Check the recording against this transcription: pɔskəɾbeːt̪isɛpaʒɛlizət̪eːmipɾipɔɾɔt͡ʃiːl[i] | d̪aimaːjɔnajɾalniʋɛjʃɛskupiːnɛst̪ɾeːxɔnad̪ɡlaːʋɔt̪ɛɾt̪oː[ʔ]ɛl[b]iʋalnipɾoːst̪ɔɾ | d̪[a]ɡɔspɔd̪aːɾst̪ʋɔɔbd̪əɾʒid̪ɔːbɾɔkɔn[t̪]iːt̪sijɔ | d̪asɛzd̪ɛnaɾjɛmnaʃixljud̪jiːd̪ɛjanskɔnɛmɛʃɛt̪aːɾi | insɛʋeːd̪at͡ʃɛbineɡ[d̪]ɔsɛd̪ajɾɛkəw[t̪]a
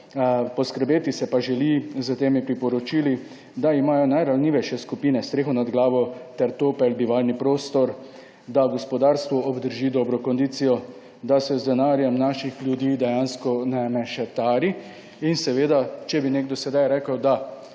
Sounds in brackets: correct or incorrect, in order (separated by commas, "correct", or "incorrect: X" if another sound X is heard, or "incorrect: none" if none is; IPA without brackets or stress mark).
correct, incorrect: p, correct, correct, incorrect: d̪, correct, incorrect: d̪